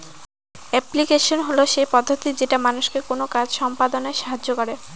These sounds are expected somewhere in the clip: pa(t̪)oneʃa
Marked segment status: incorrect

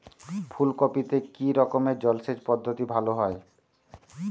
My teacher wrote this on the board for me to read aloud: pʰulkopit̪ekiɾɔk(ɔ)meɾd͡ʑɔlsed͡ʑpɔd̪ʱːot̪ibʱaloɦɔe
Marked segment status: incorrect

